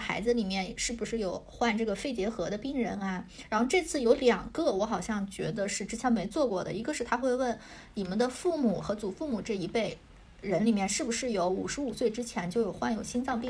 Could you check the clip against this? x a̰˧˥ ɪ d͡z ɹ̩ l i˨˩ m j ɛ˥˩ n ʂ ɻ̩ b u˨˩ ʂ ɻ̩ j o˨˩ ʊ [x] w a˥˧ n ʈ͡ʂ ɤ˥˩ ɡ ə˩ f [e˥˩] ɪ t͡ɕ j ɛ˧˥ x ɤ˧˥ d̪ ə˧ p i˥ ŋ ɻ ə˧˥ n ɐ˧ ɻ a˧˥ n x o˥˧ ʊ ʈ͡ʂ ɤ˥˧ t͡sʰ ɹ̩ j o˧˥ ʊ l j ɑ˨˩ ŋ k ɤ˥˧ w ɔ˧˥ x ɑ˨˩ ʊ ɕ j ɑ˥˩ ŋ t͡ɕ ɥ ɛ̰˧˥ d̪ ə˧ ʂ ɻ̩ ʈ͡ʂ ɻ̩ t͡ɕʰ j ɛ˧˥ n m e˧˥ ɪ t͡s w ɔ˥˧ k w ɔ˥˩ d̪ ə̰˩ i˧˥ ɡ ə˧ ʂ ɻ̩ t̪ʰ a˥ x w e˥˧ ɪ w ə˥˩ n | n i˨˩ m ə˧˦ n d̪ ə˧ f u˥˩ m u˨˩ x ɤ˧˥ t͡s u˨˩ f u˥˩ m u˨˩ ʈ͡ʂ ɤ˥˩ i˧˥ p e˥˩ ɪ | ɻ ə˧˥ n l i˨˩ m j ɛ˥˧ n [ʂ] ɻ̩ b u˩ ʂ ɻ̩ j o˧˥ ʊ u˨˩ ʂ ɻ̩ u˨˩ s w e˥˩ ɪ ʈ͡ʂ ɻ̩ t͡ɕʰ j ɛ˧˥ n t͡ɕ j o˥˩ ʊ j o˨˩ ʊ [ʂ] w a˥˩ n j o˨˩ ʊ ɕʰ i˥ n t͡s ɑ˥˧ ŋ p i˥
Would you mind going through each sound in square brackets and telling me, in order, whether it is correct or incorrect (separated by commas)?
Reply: correct, correct, correct, incorrect